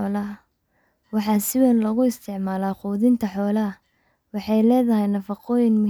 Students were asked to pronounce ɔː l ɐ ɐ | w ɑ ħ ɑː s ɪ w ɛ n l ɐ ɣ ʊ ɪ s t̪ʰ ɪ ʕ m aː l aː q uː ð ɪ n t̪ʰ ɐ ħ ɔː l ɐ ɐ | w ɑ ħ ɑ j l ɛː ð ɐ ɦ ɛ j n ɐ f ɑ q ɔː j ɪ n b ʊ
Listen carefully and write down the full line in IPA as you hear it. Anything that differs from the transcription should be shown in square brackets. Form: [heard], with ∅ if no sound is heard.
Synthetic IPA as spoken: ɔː l ɐ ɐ | w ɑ ħ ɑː s ɪ w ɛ n l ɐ ɣ ʊ ɪ s t̪ʰ ɪ ʕ m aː l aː q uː ð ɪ n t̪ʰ ɐ ħ ɔː l ɐ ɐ | w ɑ ħ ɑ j l ɛː ð ɐ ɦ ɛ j n ɐ f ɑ q ɔː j ɪ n [m] ʊ